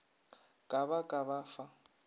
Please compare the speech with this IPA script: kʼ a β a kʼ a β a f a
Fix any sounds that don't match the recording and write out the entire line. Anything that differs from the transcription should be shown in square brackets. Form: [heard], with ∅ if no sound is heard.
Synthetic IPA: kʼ a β a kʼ a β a f a